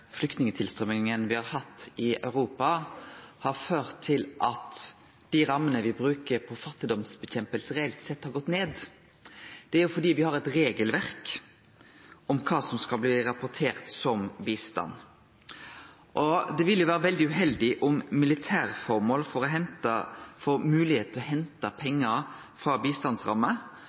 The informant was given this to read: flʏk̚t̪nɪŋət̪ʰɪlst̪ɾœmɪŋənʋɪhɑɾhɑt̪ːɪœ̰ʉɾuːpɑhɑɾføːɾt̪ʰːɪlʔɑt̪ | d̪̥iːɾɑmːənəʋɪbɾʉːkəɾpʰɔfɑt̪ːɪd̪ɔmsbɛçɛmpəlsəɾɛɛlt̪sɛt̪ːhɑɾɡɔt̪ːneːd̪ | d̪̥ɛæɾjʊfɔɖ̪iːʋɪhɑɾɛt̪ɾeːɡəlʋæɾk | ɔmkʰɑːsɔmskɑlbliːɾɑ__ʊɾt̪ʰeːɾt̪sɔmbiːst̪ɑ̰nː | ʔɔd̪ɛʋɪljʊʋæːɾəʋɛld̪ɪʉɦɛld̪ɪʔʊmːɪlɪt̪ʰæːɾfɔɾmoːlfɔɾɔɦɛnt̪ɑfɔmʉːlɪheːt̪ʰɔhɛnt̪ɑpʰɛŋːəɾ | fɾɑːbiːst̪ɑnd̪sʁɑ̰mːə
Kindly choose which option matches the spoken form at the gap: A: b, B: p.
B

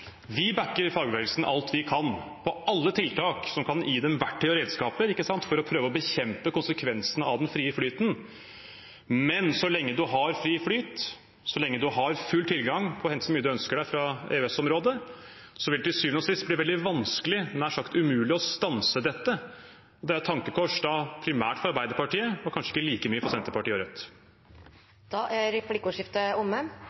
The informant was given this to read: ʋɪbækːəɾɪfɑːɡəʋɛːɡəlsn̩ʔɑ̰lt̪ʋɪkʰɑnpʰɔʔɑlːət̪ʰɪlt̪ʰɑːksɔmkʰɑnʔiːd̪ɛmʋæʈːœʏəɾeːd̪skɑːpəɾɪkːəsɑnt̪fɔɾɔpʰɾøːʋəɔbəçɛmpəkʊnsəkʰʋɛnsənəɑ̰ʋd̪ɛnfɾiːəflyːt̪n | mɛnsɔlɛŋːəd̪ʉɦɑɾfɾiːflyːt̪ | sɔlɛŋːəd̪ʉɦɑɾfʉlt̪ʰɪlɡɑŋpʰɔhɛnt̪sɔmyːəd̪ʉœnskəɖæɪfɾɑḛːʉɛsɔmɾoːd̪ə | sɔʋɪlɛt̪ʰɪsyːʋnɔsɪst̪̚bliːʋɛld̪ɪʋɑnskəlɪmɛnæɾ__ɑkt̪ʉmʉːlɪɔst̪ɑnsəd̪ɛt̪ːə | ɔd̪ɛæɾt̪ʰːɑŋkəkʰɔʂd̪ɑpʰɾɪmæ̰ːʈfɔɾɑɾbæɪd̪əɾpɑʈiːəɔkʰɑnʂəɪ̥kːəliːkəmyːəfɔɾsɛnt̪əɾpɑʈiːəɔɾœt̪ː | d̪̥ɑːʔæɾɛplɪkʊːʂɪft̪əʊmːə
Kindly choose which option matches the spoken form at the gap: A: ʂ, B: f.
A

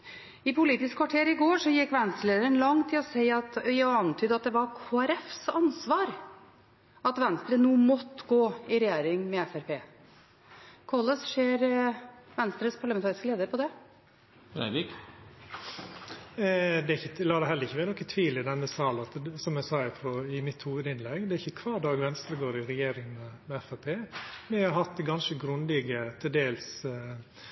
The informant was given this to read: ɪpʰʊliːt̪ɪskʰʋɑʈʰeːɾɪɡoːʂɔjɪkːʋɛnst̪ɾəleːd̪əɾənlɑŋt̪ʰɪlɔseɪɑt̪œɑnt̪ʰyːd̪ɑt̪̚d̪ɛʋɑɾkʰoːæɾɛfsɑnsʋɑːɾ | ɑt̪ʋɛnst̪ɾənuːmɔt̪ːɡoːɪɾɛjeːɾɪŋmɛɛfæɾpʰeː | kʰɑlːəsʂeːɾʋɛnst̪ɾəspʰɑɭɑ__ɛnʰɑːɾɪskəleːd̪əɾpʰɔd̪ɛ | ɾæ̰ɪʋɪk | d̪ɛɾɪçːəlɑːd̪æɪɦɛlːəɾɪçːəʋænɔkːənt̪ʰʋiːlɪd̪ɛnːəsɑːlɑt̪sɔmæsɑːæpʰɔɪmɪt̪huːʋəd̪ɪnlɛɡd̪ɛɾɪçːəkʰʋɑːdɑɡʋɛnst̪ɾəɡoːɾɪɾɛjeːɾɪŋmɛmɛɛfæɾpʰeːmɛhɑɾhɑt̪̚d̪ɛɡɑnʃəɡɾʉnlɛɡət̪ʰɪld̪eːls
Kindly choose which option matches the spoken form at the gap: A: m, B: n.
A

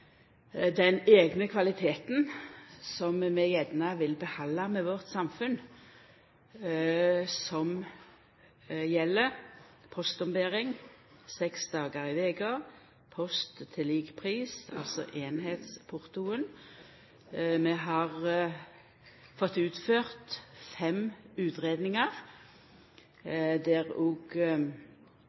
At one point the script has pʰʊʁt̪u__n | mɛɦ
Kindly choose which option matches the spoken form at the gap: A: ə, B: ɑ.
A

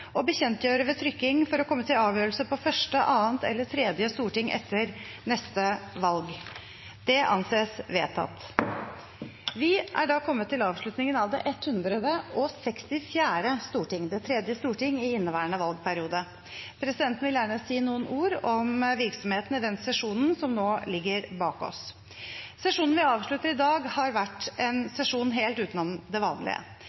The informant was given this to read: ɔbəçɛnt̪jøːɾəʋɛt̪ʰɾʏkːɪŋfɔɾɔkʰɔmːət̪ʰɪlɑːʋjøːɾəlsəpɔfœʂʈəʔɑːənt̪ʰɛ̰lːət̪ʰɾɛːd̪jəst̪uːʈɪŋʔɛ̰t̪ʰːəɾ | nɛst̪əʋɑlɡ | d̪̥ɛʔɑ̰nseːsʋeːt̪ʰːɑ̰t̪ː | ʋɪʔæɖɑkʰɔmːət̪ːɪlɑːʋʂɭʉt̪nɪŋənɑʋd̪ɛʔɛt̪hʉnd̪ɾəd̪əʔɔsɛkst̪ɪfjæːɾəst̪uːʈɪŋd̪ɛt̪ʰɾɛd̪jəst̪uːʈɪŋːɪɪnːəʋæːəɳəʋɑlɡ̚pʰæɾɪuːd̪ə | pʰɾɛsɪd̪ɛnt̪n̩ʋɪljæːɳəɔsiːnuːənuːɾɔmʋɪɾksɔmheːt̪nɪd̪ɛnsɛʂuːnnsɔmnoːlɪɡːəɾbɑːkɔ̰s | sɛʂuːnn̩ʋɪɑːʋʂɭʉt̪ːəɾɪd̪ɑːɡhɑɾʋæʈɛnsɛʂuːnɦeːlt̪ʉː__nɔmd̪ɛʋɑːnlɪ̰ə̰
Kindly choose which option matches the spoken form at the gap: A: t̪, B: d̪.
A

